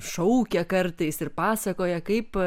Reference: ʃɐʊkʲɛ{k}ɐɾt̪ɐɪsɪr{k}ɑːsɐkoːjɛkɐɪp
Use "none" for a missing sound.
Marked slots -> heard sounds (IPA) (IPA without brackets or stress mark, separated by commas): k, p